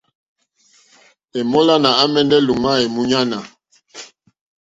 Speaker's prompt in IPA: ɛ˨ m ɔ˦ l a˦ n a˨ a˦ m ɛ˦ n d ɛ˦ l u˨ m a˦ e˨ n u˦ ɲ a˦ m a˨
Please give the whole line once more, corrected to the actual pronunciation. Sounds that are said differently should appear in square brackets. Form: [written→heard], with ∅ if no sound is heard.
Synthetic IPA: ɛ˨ m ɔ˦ l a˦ n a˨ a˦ m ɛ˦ n d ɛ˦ l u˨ m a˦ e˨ [n→m] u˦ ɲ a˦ [m→n] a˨